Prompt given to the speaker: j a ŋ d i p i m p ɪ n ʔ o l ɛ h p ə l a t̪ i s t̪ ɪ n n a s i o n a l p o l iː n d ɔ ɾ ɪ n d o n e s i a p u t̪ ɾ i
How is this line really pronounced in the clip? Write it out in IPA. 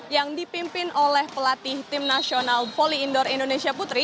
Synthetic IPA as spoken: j a ŋ d i p i m p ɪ n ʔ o l ɛ h p ə l a t̪ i h t̪ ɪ m n a s i o n a l p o l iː n d ɔ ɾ i n d o n e s i a p u t̪ ɾ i